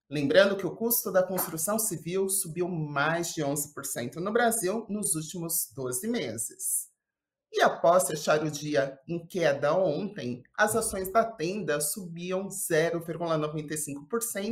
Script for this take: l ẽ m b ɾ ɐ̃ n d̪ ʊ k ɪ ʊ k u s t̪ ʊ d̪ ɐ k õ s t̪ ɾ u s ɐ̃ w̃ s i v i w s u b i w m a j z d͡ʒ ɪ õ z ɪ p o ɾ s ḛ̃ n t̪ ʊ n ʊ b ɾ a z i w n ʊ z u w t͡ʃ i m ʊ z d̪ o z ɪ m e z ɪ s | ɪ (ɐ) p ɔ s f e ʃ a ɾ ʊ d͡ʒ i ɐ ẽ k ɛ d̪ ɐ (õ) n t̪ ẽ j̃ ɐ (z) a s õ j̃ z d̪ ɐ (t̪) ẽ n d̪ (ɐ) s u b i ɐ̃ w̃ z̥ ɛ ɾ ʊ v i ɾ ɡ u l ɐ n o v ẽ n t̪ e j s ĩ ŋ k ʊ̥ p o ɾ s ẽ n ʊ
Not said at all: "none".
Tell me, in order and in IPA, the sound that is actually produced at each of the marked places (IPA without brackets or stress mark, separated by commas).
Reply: a, õ, z, t̪, ɐ